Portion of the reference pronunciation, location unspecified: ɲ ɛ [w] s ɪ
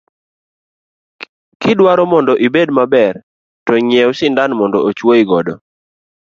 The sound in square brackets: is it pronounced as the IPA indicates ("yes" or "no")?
yes